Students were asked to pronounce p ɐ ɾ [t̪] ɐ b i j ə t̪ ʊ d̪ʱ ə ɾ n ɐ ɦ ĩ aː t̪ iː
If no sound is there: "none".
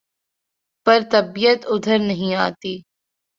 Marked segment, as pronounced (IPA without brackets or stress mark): t̪